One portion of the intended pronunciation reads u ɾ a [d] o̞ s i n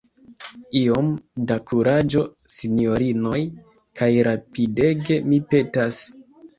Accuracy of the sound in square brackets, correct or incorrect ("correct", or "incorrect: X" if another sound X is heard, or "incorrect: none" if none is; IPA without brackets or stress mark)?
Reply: incorrect: d͡ʒ